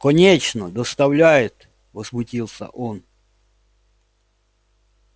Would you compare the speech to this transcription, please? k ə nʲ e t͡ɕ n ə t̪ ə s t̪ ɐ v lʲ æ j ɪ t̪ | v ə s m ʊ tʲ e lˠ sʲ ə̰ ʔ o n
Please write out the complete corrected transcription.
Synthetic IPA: k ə nʲ e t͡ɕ n ə d̪ ə s t̪ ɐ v lʲ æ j ɪ t̪ | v ə z m ʊ tʲ i lˠ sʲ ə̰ ʔ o n